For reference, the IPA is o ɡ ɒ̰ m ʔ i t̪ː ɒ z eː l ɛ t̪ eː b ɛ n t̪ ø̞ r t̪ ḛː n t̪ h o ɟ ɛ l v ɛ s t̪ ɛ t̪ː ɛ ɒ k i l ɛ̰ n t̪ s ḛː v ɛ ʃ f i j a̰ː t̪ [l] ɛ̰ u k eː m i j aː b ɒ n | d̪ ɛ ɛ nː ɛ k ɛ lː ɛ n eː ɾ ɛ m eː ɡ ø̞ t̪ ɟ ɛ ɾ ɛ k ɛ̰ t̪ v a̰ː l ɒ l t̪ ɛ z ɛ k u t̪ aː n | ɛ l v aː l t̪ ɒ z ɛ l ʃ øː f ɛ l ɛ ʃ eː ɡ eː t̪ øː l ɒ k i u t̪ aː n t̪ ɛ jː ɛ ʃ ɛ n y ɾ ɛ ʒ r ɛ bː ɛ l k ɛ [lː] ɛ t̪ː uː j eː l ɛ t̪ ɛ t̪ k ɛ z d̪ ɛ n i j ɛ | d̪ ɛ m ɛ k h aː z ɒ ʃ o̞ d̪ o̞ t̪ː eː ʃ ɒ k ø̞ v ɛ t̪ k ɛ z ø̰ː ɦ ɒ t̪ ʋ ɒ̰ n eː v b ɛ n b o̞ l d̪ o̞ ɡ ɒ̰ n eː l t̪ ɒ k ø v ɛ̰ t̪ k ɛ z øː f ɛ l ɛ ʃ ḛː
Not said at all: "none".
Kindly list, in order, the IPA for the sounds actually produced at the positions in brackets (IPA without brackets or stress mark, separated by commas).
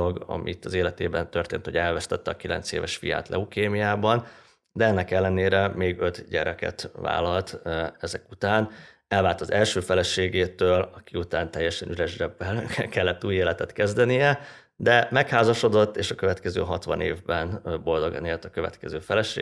l, lː